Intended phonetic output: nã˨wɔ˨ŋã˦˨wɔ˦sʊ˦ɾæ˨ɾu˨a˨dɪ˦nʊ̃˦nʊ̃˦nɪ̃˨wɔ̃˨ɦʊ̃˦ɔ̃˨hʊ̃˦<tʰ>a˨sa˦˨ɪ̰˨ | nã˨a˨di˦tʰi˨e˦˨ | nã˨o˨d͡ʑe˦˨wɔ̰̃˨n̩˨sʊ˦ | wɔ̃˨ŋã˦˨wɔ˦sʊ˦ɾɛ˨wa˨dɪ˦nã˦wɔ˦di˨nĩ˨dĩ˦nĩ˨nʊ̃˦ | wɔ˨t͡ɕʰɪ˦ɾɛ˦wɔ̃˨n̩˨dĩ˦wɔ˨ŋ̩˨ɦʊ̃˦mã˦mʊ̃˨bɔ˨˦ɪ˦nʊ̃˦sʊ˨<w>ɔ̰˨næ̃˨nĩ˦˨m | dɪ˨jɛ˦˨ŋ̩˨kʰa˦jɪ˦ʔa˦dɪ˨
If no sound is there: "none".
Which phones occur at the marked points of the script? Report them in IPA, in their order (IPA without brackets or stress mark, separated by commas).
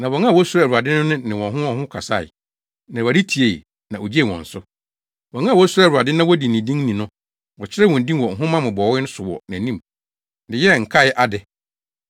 kʰ, w